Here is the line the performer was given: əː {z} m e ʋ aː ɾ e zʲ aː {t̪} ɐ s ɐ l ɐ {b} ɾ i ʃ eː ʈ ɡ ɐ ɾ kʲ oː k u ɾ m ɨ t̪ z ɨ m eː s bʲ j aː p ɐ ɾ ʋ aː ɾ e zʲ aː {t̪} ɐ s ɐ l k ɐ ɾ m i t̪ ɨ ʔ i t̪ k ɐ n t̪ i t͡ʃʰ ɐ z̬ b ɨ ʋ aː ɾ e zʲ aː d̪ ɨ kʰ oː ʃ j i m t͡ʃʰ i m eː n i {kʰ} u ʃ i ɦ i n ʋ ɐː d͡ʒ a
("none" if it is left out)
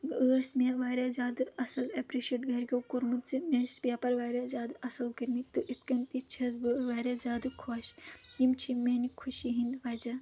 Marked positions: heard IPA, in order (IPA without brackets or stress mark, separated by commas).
s, d̪, p, d̪, kʰ